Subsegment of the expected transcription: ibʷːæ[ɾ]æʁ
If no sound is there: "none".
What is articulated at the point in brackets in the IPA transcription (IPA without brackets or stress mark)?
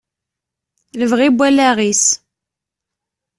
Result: l